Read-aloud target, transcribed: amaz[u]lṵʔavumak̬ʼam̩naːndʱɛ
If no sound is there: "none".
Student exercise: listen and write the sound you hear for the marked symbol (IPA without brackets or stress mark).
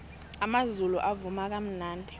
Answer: u